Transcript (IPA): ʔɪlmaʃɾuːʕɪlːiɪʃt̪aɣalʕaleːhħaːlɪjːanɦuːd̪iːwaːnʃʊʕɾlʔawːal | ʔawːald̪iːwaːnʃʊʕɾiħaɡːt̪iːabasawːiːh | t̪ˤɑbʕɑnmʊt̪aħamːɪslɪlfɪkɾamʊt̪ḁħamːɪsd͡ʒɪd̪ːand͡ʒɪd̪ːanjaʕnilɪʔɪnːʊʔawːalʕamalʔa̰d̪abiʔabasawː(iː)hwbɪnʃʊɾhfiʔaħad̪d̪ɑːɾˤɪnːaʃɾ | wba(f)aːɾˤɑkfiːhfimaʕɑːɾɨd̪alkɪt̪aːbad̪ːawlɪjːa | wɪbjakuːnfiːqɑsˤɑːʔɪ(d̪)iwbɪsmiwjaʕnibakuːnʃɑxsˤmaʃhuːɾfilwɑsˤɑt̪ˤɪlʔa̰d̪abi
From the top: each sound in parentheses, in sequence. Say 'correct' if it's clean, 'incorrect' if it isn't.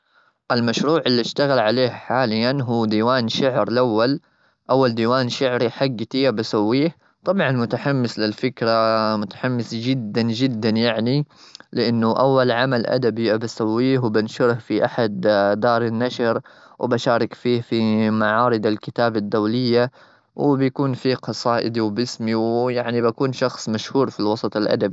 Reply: correct, incorrect, correct

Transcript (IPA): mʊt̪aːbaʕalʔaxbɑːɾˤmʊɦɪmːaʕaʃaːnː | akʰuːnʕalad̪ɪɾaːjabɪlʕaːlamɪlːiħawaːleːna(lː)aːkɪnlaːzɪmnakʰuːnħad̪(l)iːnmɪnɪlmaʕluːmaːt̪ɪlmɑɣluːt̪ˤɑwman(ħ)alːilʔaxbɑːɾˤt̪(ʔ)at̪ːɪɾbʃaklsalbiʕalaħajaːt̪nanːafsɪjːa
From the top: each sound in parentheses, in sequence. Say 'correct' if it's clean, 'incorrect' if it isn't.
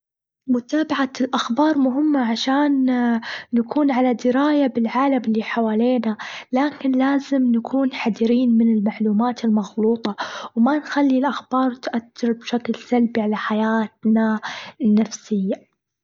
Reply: incorrect, incorrect, incorrect, correct

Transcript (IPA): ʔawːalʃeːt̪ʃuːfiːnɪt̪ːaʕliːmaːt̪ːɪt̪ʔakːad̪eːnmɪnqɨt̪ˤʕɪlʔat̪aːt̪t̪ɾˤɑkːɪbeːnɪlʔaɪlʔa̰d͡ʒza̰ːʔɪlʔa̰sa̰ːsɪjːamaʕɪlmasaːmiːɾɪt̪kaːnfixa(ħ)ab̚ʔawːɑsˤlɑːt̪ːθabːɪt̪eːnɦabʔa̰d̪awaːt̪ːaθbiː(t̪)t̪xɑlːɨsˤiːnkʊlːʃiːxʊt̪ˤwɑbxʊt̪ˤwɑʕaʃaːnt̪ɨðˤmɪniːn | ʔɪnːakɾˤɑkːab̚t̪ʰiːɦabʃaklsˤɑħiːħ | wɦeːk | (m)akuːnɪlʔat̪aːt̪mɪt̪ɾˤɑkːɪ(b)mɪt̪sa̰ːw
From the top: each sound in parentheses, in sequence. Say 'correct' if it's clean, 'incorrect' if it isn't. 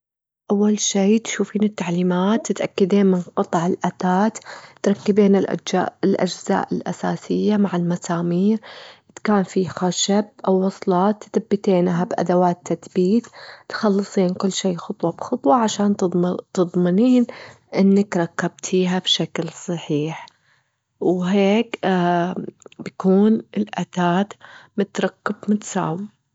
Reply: incorrect, correct, incorrect, correct

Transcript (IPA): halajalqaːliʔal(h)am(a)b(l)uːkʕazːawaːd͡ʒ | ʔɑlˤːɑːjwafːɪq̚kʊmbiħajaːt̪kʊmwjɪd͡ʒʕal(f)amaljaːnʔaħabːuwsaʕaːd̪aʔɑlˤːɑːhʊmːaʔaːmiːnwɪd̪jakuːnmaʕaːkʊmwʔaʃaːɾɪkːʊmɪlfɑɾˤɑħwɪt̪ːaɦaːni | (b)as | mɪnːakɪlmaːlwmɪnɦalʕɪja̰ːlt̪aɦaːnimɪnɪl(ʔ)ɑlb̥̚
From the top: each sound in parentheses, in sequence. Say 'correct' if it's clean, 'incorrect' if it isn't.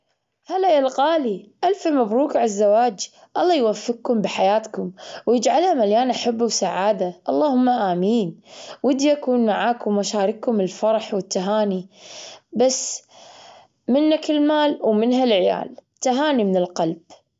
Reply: incorrect, correct, incorrect, incorrect, correct, incorrect

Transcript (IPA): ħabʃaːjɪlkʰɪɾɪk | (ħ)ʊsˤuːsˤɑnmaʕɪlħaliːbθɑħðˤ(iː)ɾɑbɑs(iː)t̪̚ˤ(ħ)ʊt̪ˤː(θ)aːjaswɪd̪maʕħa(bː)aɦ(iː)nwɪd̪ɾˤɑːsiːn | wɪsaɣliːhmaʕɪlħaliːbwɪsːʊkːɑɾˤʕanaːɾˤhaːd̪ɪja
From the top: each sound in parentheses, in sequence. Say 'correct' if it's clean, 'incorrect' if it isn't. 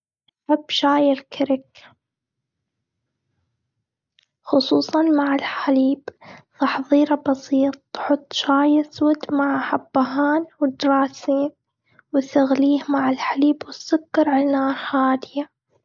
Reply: incorrect, correct, correct, correct, incorrect, correct, incorrect

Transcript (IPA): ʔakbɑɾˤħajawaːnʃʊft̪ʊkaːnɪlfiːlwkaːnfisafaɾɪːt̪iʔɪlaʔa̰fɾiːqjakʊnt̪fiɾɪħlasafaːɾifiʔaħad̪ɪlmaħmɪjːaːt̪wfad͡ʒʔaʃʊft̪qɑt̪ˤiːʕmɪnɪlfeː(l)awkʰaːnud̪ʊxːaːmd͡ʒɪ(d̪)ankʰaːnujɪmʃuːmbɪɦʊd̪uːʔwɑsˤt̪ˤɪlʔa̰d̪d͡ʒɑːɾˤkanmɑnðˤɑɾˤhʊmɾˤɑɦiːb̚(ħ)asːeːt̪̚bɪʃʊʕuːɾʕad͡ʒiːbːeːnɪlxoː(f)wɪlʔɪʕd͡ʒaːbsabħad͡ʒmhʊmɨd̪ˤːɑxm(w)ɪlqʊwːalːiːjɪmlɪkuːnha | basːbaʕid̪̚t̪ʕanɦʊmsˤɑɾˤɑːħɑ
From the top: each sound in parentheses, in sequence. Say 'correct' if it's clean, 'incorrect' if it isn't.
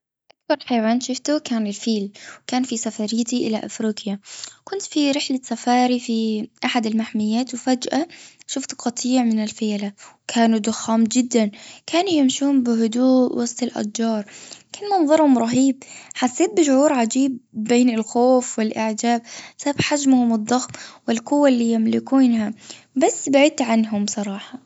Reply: correct, incorrect, correct, correct, correct

